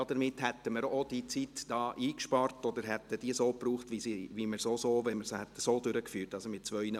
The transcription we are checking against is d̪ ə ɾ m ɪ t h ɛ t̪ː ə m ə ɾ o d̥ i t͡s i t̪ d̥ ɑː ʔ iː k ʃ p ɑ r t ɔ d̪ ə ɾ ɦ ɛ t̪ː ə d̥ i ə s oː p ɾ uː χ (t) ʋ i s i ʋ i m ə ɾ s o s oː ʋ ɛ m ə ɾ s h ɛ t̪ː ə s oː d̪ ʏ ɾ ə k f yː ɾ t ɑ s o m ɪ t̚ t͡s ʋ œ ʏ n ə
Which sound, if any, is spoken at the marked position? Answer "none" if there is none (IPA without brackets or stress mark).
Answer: t